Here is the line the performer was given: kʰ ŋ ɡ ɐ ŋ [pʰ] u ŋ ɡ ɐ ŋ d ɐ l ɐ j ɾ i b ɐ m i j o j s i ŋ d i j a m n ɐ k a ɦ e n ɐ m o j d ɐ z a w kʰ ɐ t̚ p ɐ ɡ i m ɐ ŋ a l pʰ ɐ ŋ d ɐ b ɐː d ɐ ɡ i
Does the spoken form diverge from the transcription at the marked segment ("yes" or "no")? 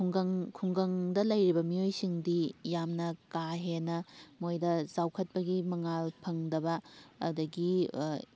yes